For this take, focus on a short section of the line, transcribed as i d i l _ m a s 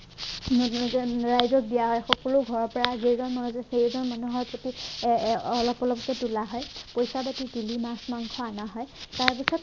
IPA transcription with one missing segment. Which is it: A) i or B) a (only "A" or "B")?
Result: A